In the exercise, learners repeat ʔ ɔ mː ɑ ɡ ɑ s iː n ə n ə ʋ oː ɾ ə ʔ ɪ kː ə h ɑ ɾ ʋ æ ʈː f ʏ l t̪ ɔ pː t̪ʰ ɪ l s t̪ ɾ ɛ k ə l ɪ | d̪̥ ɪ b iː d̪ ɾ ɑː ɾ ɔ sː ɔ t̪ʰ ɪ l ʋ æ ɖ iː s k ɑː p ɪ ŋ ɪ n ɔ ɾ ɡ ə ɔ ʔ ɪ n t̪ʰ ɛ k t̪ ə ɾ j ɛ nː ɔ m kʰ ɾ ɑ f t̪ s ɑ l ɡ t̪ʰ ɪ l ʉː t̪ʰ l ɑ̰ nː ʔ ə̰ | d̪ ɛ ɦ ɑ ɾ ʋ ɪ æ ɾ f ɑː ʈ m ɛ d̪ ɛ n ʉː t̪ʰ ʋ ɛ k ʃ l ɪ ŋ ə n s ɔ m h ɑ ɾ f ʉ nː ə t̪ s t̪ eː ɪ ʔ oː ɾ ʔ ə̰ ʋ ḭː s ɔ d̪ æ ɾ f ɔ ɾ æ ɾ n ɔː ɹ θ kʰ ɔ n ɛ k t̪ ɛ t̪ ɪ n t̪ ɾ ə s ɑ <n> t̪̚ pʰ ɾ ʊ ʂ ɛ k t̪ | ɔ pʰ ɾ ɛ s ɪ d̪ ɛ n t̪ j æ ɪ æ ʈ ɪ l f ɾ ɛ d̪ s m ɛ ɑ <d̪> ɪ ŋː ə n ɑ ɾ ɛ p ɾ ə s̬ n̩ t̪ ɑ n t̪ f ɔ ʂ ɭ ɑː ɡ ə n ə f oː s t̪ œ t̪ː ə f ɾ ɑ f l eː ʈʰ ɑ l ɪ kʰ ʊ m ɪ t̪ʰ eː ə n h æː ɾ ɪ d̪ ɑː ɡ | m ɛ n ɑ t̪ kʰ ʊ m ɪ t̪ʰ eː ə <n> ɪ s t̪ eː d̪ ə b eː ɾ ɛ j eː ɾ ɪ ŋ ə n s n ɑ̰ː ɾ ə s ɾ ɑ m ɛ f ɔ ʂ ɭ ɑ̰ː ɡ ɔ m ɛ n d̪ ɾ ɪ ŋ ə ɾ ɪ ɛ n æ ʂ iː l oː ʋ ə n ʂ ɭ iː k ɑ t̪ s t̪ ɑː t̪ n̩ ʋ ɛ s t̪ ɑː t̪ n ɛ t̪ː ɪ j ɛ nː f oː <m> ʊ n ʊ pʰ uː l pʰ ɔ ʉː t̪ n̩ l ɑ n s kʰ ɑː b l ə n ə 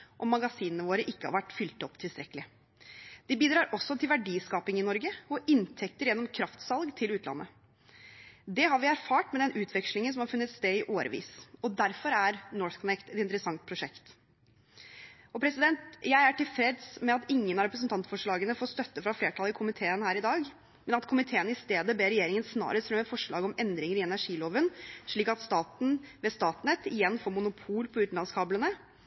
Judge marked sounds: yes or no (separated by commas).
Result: no, no, yes, yes